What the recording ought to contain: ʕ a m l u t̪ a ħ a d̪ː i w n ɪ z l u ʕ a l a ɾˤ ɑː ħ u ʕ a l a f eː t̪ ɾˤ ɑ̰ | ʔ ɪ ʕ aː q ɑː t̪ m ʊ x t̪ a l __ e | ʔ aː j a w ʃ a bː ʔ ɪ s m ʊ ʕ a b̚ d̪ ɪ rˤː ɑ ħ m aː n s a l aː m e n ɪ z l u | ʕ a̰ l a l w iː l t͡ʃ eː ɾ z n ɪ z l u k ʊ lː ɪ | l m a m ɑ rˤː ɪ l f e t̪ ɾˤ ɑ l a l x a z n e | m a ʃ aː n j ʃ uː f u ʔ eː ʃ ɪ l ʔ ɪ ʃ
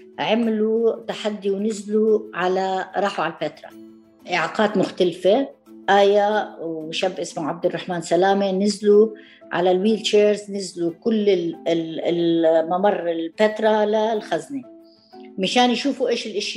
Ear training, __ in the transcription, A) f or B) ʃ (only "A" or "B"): A